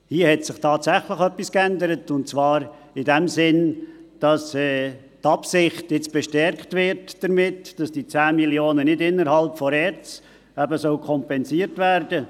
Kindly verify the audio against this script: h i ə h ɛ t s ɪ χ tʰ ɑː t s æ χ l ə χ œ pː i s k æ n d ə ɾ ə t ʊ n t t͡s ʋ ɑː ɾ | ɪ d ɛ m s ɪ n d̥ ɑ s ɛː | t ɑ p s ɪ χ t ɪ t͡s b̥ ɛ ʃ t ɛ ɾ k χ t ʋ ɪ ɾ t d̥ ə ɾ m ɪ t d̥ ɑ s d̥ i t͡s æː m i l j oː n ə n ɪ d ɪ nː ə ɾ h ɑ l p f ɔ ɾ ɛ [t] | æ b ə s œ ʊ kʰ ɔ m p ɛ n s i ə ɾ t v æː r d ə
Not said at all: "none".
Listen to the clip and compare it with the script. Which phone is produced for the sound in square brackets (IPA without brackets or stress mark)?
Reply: t͡s